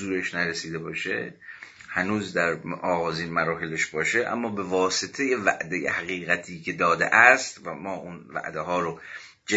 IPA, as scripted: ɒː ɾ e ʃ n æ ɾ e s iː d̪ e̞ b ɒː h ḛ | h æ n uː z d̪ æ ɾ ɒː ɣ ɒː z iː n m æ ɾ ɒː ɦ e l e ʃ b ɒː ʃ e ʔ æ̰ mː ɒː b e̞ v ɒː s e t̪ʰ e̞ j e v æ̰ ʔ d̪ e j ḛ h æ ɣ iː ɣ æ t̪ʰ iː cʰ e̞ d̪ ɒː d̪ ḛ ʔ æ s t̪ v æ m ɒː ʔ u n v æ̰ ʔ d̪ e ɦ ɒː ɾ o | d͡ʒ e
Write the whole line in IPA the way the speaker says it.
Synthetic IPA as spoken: uː ɾ e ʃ n æ ɾ e s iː d̪ e̞ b ɒː ʃ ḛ | h æ n uː z d̪ æ ɾ ɒː ɣ ɒː z iː n m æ ɾ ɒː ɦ e l e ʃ b ɒː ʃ e ʔ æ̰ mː ɒː b e̞ v ɒː s e t̪ʰ e̞ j e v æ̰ ʔ d̪ e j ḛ h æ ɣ iː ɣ æ t̪ʰ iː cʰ e̞ d̪ ɒː d̪ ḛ ʔ æ s t̪ v æ m ɒː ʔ u n v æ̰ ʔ d̪ e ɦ ɒː ɾ o | d͡ʒ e